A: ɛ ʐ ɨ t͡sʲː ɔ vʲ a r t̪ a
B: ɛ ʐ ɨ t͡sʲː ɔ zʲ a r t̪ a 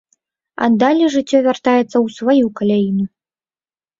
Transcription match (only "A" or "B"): A